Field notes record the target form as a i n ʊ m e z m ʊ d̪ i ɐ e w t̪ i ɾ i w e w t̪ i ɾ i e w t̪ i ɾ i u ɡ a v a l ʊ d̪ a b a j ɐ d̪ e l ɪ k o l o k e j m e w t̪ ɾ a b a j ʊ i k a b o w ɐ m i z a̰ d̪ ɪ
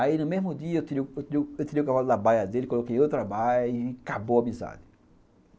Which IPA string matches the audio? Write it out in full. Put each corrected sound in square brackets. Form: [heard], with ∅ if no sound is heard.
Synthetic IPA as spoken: a i n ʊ m e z m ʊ d̪ i ɐ e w t̪ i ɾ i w e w t̪ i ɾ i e w t̪ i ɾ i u [k] a v a l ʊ d̪ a b a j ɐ d̪ e l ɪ k o l o k e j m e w t̪ ɾ a b a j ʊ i k a b o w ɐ m i z a̰ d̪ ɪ